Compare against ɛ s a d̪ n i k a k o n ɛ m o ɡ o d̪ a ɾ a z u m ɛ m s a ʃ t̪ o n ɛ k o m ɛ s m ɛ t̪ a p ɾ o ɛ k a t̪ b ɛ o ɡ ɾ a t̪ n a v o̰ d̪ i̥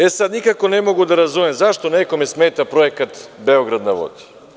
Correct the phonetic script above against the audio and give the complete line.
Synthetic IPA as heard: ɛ s a d̪ n i k a k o n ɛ m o ɡ u d̪ a ɾ a z u m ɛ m z a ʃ t̪ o n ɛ k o m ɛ s m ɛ t̪ a p ɾ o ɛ k a t̪ b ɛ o ɡ ɾ a d̪ n a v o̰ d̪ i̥